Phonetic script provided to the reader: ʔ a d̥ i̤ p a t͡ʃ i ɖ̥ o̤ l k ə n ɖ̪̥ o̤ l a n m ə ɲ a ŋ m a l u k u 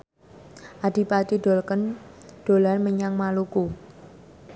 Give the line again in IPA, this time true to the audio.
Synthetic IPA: ʔ a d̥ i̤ p a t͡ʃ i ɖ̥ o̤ l k ə n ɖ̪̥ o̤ l a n m ə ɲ a ŋ m a l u k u